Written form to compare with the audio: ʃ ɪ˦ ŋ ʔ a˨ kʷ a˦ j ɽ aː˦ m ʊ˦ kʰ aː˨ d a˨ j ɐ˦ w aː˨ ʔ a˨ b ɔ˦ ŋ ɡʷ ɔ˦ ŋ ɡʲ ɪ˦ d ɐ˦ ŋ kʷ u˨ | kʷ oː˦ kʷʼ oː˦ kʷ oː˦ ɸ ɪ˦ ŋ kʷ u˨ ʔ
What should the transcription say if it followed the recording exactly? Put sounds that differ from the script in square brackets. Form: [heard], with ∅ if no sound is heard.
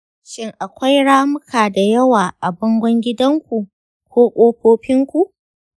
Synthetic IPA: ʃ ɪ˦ ŋ ʔ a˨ kʷ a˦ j ɽ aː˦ m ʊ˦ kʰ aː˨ d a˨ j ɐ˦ w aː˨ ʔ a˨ b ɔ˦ ŋ ɡʷ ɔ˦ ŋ ɡʲ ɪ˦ d ɐ˦ ŋ kʷ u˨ | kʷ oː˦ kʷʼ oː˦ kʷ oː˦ ɸ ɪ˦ ŋ kʷ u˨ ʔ